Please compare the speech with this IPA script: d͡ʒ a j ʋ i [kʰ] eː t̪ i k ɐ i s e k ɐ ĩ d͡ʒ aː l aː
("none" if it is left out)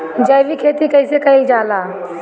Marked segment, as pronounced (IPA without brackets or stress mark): kʰ